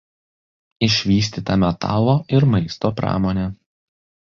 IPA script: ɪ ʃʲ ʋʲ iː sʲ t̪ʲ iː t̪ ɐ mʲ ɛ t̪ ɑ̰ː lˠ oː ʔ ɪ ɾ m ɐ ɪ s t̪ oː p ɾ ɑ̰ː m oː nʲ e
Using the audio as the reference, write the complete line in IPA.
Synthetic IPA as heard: ɪ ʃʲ ʋʲ iː sʲ t̪ʲ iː t̪ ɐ mʲ ɛ t̪ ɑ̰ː lˠ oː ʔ ɪ ɾ m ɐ ɪ s t̪ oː p ɾ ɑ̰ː m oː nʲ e